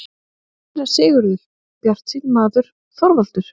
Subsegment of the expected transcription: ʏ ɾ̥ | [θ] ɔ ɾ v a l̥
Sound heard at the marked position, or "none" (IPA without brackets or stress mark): θ